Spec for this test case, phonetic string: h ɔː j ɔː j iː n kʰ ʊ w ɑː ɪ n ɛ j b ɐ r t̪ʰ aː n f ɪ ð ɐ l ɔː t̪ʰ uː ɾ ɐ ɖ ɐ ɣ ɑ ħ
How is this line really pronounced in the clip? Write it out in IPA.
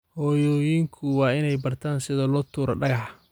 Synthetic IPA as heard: h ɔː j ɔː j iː ŋ kʰ ʊ w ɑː ɪ n ɛ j b ɐ r t̪ʰ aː n s ɪ ð ɐ l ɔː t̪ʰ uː ɾ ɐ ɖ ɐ ɣ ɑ ħ